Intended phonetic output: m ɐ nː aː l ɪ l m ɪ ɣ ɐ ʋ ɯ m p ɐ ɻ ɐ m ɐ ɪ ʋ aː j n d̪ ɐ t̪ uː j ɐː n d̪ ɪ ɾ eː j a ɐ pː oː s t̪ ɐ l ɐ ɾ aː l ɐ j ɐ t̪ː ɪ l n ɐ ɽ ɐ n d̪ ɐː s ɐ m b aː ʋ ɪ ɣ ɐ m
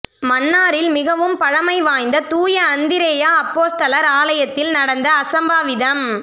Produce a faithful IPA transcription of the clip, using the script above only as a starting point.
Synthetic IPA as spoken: m ɐ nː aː ɾ ɪ l m ɪ ɣ ɐ ʋ ɯ m p ɐ ɻ ɐ m ɐ ɪ ʋ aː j n d̪ ɐ t̪ uː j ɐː n d̪ ɪ ɾ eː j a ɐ pː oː s t̪ ɐ l ɐ ɾ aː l ɐ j ɐ t̪ː ɪ l n ɐ ɽ ɐ n d̪ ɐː s ɐ m b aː ʋ ɪ ð ɐ m